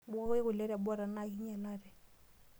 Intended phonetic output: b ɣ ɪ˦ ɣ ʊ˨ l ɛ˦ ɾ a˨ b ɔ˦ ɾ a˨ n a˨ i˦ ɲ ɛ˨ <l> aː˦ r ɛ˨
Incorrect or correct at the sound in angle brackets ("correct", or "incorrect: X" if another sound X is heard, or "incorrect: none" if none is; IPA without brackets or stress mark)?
correct